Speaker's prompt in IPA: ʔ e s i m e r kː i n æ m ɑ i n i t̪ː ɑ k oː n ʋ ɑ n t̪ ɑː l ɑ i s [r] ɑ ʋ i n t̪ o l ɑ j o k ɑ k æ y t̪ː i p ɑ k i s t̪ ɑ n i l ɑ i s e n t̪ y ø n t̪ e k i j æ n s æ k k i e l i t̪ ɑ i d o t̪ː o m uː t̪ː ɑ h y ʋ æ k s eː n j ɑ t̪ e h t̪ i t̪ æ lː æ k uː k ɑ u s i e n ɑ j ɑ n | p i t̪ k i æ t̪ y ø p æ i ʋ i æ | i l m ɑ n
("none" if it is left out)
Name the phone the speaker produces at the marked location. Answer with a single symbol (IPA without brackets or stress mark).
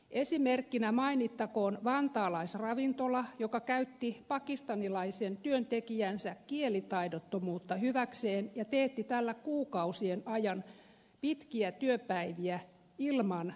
r